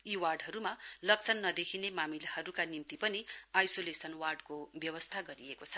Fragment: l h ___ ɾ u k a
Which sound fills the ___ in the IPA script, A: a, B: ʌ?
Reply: B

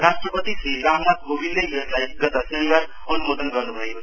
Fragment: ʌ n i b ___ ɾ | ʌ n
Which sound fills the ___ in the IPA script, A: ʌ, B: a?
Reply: B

